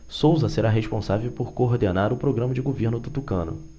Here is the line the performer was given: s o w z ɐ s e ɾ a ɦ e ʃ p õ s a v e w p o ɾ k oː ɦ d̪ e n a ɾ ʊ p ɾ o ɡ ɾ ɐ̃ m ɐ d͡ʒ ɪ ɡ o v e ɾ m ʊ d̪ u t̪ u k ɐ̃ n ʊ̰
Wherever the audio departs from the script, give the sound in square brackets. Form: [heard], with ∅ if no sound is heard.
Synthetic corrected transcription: s o w z ɐ s e ɾ a ɦ e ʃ p õ s a v e w p o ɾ k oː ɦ d̪ e n a ɾ ʊ p ɾ o ɡ ɾ ɐ̃ m ɐ d͡ʒ ɪ ɡ o v e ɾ [n] ʊ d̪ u t̪ u k ɐ̃ n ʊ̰